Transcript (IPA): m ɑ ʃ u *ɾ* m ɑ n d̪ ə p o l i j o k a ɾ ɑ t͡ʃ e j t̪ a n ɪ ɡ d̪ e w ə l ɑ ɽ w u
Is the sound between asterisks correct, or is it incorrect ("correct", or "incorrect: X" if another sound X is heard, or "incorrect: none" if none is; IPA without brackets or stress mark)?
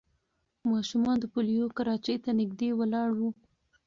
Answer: incorrect: none